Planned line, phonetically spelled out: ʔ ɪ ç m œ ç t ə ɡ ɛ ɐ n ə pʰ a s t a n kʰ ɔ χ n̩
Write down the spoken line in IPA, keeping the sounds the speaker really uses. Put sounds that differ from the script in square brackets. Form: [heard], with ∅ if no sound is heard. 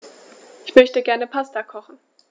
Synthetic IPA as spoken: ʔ ɪ ç m œ ç t ə ɡ ɛ ɐ n ə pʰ a s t a [∅] kʰ ɔ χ n̩